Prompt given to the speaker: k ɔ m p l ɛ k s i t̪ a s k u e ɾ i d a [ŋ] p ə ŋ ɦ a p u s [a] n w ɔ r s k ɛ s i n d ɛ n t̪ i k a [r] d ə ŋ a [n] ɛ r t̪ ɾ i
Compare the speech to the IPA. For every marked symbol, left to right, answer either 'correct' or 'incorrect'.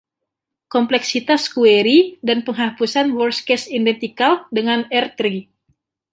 incorrect: n, correct, incorrect: l, correct

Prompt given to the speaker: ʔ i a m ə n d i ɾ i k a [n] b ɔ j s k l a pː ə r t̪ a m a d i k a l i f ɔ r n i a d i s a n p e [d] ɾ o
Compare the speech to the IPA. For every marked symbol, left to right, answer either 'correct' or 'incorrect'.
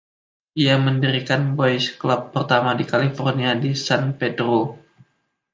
correct, correct

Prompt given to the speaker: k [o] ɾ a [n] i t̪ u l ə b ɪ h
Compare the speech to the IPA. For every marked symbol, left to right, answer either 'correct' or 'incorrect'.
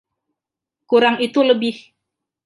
incorrect: u, incorrect: ŋ

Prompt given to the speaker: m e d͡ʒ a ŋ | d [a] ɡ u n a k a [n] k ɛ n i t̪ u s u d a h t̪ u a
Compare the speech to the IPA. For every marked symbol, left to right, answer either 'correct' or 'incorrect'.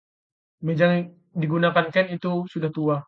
incorrect: i, correct

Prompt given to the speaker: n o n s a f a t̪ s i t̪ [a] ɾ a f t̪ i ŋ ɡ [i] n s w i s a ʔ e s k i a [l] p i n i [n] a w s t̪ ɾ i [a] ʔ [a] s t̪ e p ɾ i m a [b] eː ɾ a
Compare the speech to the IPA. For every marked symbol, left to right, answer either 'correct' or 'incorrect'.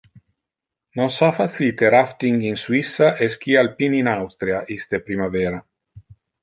incorrect: e, correct, correct, correct, correct, incorrect: i, incorrect: v

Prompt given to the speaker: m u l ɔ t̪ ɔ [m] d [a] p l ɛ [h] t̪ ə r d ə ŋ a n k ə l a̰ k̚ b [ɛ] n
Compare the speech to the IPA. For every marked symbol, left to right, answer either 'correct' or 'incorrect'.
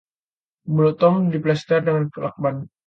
correct, incorrect: i, incorrect: s, incorrect: a

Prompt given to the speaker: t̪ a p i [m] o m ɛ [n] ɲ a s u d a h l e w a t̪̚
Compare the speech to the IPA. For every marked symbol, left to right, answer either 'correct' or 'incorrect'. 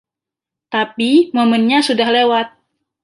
correct, correct

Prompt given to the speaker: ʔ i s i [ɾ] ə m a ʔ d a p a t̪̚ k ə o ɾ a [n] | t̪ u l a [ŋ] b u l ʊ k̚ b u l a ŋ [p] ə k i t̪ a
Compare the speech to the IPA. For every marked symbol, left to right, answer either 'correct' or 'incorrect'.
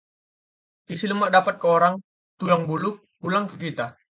incorrect: l, incorrect: ŋ, correct, incorrect: k

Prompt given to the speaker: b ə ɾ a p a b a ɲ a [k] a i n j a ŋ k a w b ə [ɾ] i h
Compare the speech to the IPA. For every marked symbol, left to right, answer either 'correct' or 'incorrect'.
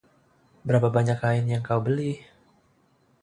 correct, incorrect: l

